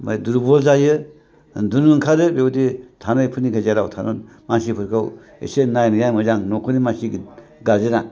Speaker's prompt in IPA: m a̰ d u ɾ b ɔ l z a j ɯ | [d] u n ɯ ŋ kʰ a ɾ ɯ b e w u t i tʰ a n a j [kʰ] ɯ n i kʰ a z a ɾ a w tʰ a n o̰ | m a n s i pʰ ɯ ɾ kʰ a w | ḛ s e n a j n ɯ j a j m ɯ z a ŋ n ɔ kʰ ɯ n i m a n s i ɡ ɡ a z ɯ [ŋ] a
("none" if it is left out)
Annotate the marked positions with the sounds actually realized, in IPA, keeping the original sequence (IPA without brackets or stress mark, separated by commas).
d, pʰ, n